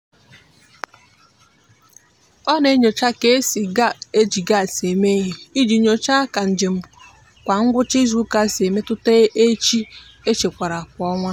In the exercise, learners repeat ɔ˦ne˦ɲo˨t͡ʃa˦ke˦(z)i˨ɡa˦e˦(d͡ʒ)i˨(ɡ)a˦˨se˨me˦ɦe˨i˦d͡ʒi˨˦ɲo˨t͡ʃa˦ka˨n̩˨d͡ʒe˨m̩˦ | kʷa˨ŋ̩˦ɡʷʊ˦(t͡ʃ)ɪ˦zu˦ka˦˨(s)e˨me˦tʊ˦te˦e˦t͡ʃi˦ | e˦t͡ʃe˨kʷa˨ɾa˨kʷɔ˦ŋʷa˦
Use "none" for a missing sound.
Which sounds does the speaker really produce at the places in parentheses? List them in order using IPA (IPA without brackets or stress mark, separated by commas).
s, d͡ʒ, ɡ, t͡ʃ, s